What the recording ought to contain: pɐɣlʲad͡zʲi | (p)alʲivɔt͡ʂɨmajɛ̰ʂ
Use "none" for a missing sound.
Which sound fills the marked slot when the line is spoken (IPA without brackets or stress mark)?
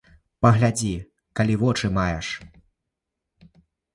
k